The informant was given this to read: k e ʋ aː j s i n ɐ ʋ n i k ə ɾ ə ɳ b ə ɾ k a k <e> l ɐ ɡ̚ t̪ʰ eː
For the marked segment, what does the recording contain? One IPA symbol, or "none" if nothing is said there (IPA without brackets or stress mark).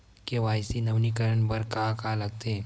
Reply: a